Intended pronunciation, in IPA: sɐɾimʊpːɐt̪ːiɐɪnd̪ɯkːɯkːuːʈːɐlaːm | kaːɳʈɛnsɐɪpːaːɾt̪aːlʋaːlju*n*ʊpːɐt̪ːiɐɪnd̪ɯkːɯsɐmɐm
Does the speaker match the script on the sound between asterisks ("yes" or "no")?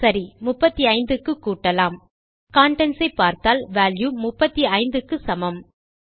no